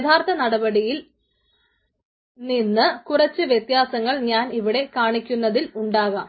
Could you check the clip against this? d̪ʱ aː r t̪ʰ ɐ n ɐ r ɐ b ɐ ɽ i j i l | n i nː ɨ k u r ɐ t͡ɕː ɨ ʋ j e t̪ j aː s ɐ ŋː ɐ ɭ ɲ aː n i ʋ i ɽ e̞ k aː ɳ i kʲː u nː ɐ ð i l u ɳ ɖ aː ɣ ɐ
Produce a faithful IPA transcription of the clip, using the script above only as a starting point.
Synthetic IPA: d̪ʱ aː r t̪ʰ ɐ n ɐ ɽ ɐ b ɐ ɽ i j i l | n i nː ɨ k u r ɐ t͡ɕː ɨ ʋ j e t̪ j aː s ɐ ŋː ɐ ɭ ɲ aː n i ʋ i ɽ e̞ k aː ɳ i kʲː u nː ɐ ð i l u ɳ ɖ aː ɣ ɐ